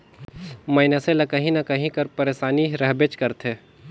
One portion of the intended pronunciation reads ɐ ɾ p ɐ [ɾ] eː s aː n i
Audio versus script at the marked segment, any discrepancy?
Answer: no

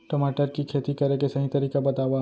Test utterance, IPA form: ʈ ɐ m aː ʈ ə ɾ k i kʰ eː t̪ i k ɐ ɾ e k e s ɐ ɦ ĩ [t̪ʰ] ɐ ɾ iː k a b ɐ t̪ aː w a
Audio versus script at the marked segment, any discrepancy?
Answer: yes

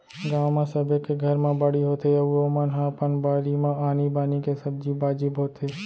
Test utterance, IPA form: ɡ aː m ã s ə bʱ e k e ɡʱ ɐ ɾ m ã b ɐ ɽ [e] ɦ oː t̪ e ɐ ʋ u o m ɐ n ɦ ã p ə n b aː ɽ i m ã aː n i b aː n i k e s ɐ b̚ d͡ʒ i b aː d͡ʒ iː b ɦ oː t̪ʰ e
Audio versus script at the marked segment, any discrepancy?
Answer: yes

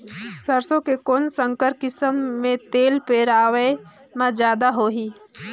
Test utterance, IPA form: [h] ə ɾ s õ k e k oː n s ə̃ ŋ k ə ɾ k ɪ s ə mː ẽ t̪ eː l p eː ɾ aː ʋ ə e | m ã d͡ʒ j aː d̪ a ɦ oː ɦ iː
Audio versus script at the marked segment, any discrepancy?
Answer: yes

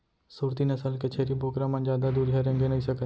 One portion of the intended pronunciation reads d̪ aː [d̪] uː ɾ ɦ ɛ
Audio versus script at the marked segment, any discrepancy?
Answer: no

